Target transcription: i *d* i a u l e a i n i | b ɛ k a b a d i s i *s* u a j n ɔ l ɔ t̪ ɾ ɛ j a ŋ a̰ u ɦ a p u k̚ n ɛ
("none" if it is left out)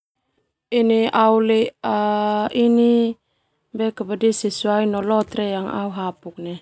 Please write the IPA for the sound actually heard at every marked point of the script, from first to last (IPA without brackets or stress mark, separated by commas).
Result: n, s